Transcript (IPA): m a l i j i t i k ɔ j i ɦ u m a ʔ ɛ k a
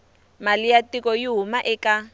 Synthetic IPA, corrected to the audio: m a l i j a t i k ɔ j i ɦ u m a ʔ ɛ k a